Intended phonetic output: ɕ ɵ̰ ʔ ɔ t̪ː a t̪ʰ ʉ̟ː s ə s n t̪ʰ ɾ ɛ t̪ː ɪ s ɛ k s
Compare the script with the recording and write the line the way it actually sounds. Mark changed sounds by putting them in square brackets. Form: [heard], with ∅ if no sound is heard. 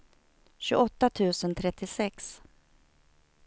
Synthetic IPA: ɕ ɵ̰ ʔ ɔ t̪ː a t̪ʰ ʉ̟ː s ə [∅] n t̪ʰ ɾ ɛ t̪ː ɪ s ɛ k s